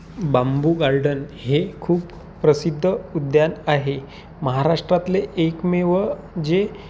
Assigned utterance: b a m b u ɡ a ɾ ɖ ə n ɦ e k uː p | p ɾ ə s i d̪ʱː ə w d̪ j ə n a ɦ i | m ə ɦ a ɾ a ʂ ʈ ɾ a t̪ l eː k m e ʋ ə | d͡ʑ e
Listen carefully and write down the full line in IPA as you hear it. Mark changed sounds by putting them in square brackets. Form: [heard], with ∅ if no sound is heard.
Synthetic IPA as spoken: b a m b u ɡ a ɾ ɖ ə n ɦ e [kʰ] uː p | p ɾ ə s i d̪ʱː ə [u] d̪ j [a] n a ɦ [e] | m ə ɦ a ɾ a ʂ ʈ ɾ a t̪ l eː k m e ʋ ə | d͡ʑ e